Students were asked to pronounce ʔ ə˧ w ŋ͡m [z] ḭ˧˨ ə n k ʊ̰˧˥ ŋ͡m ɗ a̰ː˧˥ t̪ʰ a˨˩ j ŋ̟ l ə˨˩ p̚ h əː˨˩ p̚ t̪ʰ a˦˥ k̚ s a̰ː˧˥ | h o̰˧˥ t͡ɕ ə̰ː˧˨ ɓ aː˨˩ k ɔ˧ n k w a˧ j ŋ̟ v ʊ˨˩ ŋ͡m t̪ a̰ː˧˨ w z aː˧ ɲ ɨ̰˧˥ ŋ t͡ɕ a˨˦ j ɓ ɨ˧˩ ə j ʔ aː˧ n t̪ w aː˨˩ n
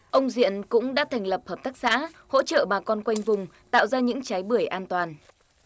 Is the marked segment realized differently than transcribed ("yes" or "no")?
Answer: no